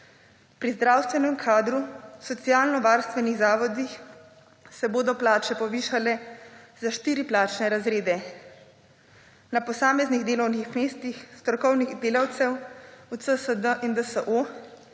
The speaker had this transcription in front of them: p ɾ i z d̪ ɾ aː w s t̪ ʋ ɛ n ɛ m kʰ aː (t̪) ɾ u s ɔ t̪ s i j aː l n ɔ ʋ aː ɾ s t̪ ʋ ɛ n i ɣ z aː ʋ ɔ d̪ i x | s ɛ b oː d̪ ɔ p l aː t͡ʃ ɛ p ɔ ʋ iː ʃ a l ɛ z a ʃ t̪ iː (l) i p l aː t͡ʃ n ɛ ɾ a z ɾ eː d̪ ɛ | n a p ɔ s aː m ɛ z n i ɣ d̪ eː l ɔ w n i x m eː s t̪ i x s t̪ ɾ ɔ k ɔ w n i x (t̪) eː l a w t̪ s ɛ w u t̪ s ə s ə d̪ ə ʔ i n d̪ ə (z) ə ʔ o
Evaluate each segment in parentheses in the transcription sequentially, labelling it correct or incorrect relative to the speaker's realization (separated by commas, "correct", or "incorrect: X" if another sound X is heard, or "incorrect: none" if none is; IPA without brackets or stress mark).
incorrect: d̪, incorrect: ɾ, incorrect: d̪, incorrect: s